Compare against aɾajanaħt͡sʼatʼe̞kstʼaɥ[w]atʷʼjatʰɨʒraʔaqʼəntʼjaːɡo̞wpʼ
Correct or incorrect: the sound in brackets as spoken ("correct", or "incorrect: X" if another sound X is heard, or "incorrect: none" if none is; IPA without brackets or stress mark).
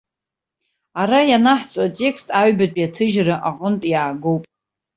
incorrect: b